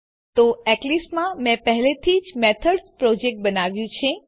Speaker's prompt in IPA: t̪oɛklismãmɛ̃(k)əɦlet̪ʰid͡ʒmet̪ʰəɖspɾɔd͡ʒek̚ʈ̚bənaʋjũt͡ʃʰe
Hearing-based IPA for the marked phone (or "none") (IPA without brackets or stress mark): p